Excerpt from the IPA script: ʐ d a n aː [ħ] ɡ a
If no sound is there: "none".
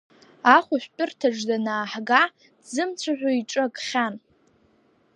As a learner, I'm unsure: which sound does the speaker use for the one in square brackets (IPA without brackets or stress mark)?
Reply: ħ